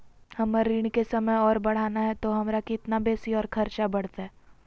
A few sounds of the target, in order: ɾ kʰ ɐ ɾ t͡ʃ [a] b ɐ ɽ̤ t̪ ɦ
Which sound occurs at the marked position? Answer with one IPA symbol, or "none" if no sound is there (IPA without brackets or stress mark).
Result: a